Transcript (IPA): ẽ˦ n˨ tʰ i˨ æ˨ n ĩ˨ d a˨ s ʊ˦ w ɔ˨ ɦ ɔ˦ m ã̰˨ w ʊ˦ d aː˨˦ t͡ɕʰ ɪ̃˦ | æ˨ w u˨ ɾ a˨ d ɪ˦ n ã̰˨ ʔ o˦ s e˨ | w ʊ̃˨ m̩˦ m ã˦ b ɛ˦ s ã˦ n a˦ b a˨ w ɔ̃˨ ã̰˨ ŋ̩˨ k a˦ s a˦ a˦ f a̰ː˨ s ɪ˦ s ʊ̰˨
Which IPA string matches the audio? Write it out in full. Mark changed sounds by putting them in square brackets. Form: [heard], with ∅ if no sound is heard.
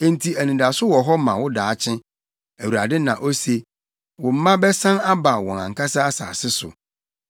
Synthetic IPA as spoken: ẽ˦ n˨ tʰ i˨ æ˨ n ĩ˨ d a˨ s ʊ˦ w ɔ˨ ɦ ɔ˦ m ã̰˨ w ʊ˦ d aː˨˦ t͡ɕʰ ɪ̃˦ | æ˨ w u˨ ɾ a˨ d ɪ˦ n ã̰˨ ʔ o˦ s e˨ | w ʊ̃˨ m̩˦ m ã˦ b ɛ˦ s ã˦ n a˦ b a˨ w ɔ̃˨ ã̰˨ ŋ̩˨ k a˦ s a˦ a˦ [s] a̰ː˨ s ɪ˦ s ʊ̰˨